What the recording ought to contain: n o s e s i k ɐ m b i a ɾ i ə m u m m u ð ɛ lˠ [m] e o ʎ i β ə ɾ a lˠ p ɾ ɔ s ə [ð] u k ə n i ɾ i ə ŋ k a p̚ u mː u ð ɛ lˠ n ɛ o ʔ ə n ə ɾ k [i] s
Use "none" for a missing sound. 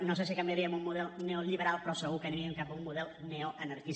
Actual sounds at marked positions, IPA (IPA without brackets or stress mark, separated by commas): n, ɣ, i